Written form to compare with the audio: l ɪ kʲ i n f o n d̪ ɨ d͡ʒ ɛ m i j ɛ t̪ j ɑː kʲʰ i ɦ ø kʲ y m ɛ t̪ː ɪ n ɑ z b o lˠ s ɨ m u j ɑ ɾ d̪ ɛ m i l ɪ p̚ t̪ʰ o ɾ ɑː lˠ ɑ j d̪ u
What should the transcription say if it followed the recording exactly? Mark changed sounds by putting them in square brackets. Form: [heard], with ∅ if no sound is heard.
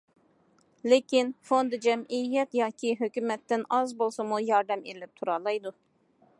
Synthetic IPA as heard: l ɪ kʲ i n f o n d̪ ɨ d͡ʒ ɛ m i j ɛ t̪ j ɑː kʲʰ i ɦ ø kʲ y m ɛ t̪ː ɪ n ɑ z b o lˠ s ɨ m u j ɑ ɾ d̪ ɛ m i l ɪ p̚ t̪ʰ [u] ɾ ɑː lˠ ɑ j d̪ u